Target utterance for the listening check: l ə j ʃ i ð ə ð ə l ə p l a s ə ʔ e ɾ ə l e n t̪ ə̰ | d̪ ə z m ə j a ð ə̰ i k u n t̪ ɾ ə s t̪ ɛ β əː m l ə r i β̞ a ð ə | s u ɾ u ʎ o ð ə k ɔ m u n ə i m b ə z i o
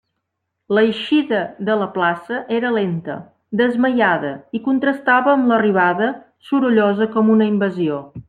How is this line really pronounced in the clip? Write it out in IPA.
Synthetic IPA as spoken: l ə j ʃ i ð ə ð ə l ə p l a s ə ʔ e ɾ ə l e n t̪ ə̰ | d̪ ə z m ə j a ð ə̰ i k u n t̪ ɾ ə s t̪ a β əː m l ə r i β̞ a ð ə | s u ɾ u ʎ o z ə k ɔ m u n ə i m b ə z i o